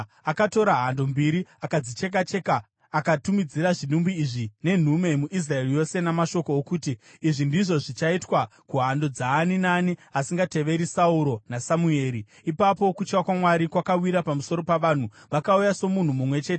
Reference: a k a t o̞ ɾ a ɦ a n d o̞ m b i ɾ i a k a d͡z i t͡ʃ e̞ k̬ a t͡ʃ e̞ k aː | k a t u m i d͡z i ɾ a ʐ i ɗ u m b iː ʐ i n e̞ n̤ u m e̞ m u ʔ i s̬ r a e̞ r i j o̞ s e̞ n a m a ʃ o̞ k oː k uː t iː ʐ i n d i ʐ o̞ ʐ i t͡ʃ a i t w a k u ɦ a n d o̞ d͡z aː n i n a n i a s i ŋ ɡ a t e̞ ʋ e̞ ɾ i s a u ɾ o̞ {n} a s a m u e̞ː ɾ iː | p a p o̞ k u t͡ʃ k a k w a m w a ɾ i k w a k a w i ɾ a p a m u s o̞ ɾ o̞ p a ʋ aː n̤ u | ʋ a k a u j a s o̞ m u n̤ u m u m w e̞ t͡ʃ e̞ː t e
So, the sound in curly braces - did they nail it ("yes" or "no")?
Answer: yes